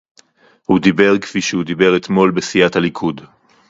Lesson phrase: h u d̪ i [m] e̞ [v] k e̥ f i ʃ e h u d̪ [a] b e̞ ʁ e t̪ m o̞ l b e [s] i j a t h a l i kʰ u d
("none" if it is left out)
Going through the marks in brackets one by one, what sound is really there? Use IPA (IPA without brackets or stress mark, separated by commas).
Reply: b, ʁ, i, s